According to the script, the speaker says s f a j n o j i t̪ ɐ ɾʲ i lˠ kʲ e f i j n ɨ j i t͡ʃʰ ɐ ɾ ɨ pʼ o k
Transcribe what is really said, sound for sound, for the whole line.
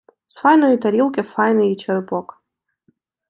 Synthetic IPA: s f a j n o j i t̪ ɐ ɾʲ i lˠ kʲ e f a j n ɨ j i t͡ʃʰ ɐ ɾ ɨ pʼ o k